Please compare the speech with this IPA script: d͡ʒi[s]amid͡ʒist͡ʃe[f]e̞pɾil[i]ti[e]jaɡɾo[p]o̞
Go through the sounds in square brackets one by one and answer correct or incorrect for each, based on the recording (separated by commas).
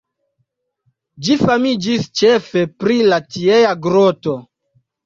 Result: incorrect, correct, incorrect, correct, incorrect